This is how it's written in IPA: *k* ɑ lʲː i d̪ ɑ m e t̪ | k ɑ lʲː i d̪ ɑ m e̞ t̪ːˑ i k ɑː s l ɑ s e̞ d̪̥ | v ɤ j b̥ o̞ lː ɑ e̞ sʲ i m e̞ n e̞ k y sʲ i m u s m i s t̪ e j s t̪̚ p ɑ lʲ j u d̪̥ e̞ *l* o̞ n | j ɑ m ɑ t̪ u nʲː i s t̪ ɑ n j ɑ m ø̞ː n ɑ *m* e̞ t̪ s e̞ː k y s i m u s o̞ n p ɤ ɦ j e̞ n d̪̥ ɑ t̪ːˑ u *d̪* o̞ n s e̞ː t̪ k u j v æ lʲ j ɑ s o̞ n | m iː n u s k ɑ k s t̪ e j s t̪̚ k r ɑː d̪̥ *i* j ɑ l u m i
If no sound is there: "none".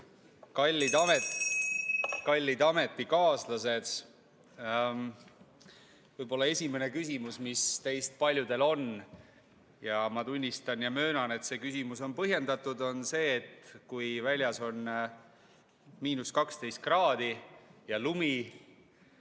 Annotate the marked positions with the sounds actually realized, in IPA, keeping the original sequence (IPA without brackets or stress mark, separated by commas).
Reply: k, l, n, d̪, i